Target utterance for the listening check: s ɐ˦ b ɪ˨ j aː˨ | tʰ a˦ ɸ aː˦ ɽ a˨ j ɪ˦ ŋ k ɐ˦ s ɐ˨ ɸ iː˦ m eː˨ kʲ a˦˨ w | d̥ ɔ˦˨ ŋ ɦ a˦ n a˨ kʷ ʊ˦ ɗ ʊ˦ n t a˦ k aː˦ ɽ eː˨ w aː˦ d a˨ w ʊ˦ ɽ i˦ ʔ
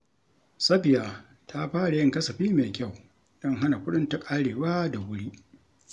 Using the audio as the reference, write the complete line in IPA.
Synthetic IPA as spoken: s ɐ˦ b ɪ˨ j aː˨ | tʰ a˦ ɸ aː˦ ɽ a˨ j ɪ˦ ŋ k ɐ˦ s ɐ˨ ɸ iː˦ m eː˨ kʲ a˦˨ w | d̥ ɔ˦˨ ŋ ɦ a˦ n a˨ kʷ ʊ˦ ɗ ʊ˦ n t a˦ kʼ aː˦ ɽ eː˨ w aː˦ d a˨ w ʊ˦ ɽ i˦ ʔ

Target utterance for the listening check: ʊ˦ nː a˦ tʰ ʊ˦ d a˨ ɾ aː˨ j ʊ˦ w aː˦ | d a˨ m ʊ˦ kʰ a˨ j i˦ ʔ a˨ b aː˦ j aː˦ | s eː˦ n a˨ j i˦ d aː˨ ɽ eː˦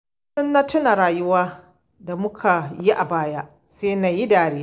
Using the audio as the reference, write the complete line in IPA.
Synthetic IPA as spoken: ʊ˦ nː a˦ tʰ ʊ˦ n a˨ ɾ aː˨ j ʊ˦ w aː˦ | d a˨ m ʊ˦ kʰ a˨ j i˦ ʔ a˨ b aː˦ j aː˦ | s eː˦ n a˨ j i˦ d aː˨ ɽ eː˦

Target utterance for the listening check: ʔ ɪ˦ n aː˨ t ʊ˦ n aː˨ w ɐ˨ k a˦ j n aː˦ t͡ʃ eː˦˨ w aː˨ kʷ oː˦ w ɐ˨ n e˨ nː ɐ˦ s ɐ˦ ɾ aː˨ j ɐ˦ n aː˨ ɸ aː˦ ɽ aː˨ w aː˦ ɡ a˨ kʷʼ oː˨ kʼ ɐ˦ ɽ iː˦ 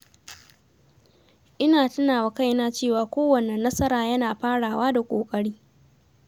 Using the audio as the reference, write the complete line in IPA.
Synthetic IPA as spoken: ʔ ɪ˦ n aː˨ t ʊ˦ n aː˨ w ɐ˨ k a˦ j n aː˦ t͡ʃ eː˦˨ w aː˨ kʷ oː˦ w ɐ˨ n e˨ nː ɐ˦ s ɐ˦ ɾ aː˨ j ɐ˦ n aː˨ ɸ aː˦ ɽ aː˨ w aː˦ d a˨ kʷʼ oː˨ kʼ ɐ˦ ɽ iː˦

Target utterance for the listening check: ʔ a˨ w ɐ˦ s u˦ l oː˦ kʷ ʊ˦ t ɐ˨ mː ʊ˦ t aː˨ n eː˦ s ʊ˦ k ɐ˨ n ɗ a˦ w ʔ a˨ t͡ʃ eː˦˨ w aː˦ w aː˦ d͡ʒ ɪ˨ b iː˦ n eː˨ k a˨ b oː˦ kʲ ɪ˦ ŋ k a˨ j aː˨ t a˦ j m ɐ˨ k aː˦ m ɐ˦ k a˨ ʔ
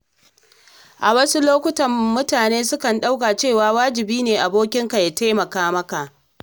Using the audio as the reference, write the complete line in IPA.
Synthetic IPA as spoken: ʔ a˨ w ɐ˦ s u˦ l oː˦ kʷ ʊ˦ t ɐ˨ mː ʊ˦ t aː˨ n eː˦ s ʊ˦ k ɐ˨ n ɗ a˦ w k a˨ t͡ʃ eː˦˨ w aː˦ w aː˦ d͡ʒ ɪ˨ b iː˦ n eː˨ ʔ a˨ b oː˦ kʲ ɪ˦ ŋ k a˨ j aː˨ t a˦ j m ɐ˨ k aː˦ m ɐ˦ k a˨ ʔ

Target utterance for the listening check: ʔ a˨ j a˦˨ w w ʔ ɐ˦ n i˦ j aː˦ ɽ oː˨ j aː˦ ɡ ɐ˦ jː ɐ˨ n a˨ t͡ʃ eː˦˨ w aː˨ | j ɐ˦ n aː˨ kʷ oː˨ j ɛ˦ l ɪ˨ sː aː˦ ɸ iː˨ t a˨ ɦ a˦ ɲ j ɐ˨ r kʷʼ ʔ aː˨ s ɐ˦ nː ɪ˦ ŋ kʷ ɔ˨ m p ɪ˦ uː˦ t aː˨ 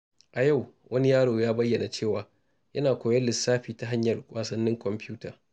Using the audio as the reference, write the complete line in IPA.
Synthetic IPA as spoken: ʔ a˨ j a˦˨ w w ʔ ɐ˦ n i˦ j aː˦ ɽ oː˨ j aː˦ b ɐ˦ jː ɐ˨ n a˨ t͡ʃ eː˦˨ w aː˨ | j ɐ˦ n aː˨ kʷ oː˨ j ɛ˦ l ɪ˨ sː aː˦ ɸ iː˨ t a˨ ɦ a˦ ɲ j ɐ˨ r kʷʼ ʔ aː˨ s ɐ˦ nː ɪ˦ ŋ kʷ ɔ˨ m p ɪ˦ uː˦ t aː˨

